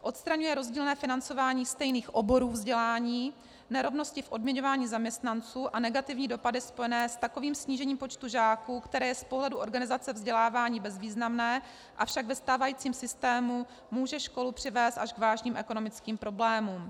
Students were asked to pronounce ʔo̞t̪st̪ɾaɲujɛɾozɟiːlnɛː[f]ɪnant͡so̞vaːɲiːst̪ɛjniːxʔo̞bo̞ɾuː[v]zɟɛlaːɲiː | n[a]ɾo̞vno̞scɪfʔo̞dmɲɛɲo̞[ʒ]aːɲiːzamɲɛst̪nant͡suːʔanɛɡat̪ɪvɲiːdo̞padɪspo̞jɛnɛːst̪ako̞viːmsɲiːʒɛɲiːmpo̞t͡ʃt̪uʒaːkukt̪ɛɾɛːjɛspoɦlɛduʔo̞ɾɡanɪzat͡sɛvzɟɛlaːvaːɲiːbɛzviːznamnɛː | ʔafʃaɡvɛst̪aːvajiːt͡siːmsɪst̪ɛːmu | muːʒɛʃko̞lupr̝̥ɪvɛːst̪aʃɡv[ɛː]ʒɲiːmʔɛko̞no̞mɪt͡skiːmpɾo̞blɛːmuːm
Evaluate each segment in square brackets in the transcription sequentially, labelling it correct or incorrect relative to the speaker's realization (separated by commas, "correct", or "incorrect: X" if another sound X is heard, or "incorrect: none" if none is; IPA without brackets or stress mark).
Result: correct, correct, incorrect: ɛ, incorrect: v, incorrect: aː